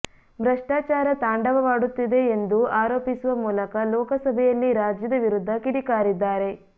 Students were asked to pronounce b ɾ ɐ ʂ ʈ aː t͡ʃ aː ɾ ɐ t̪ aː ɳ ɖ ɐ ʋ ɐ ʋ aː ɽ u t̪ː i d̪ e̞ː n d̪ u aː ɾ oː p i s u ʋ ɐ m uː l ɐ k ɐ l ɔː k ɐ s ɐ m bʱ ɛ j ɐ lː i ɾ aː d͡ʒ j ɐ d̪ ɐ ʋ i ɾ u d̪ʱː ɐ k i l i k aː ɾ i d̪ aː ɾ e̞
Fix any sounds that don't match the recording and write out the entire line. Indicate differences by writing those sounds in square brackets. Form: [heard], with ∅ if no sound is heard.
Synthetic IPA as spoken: b ɾ ɐ ʂ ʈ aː t͡ʃ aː ɾ ɐ t̪ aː ɳ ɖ ɐ ʋ ɐ ʋ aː ɽ u t̪ː i d̪ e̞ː n d̪ u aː ɾ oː p i s u ʋ ɐ m uː l ɐ k ɐ l ɔː k ɐ s ɐ [∅] bʱ ɛ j ɐ lː i ɾ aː d͡ʒ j ɐ d̪ ɐ ʋ i ɾ u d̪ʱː ɐ k i [ɽ] i k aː ɾ i [d̪ː] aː ɾ e̞